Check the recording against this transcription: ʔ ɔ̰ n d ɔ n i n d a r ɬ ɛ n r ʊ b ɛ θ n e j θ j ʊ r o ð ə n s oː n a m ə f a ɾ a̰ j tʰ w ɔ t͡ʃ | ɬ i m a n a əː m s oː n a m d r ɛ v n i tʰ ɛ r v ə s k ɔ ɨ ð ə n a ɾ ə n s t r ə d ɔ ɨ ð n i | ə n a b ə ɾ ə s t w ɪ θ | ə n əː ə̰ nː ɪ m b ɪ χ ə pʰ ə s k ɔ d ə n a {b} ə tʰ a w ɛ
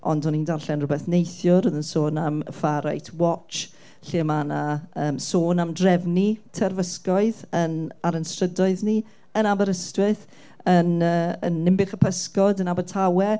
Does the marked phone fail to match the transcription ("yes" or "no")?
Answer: no